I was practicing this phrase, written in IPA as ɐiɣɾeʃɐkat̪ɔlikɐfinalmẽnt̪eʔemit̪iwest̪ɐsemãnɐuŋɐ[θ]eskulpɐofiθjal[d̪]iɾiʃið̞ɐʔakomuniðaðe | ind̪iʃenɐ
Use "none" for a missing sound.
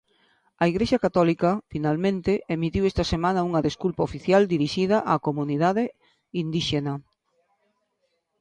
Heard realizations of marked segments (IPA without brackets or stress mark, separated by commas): ð, d̪